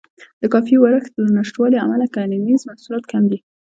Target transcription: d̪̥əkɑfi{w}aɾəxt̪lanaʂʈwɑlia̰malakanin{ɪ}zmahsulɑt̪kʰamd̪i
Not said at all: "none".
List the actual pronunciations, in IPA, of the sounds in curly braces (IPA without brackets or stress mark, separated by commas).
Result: w, i